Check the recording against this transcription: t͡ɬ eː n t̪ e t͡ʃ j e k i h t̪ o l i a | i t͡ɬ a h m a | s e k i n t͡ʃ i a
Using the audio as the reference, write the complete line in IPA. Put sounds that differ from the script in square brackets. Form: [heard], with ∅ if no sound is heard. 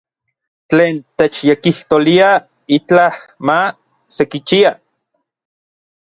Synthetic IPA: t͡ɬ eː n t̪ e t͡ʃ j e k i h t̪ o l i a | i t͡ɬ a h m a | s e k i [∅] t͡ʃ i a

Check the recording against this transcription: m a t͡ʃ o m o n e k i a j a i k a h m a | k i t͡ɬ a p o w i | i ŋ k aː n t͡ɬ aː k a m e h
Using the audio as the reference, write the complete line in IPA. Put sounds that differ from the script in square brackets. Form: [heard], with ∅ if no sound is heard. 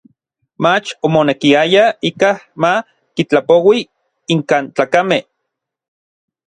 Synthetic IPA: m a t͡ʃ o m o n e k i a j a i k a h m a | k i t͡ɬ a p o w i | i ŋ k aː n t͡ɬ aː k a m e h

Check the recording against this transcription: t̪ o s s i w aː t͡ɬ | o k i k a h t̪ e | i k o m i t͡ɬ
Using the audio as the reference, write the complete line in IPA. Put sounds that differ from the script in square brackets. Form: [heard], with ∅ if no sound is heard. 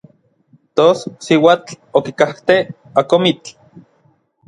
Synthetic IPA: t̪ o s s i w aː t͡ɬ | o k i k a h t̪ e | [a] k o m i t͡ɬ

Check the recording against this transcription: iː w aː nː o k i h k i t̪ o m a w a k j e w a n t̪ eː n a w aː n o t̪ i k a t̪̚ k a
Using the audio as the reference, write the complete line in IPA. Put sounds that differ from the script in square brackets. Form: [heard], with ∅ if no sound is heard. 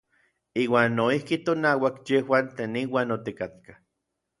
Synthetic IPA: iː w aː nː o [∅] i h k i t̪ o [n] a w a k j e w a n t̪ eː n [i] w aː n o t̪ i k a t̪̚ k a

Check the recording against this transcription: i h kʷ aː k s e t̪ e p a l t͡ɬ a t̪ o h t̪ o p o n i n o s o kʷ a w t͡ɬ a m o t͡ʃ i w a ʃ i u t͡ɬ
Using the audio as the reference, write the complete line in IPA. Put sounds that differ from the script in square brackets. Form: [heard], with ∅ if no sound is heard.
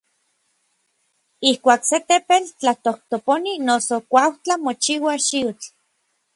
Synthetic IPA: i h kʷ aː k s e t̪ e p [e] l t͡ɬ a t̪ o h t̪ o p o n i n o s o kʷ a w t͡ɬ a m o t͡ʃ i w a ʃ i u t͡ɬ

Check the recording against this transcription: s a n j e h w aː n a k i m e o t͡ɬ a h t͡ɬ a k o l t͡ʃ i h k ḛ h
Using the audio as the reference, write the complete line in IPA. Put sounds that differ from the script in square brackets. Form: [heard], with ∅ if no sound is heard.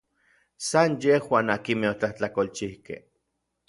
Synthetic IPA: s a n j e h w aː n a k i m e o t͡ɬ a h t͡ɬ a k o l t͡ʃ i h k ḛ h

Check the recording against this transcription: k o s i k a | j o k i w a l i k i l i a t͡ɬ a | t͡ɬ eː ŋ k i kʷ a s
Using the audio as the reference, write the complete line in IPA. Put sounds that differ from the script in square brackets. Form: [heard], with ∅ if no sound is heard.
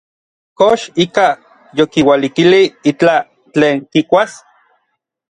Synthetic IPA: k o [ʃ] i k a | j o k i w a l i k i l i [i] t͡ɬ a | t͡ɬ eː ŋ k i kʷ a s

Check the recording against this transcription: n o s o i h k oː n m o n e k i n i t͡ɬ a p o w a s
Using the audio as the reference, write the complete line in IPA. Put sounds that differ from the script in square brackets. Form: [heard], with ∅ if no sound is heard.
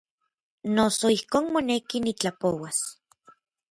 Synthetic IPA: n o s o i h k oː n m o n e k i n i t͡ɬ a p o w a s

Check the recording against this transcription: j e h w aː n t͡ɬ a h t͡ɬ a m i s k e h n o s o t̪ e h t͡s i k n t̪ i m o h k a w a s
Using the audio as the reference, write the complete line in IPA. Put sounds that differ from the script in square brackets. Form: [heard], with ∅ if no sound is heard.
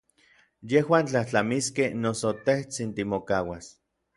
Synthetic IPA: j e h w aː n t͡ɬ a h t͡ɬ a m i s k e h n o s o t̪ e h t͡s i [∅] n t̪ i m o [∅] k a w a s

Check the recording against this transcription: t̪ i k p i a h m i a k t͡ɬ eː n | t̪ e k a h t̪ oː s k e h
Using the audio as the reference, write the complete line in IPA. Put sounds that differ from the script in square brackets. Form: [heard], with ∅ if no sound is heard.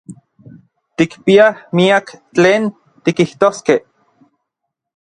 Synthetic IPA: t̪ i k p i a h m i a k t͡ɬ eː n | t̪ [i] k [i] h t̪ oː s k e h

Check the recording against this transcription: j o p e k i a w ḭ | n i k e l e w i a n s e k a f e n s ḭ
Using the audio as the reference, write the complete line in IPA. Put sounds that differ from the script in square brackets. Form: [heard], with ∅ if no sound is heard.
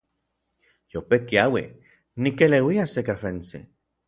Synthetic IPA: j o p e k i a w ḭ | n i k e l e w i a [∅] s e k a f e n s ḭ

